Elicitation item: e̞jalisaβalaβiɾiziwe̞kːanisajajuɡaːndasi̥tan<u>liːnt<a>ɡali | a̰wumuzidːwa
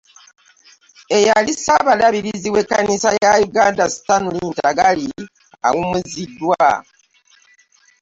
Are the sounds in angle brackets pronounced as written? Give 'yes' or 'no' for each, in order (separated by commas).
yes, yes